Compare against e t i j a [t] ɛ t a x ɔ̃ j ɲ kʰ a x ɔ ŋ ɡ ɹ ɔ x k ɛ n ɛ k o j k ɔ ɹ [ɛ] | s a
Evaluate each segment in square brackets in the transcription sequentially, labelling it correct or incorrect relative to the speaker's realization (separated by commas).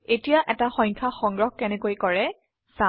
incorrect, correct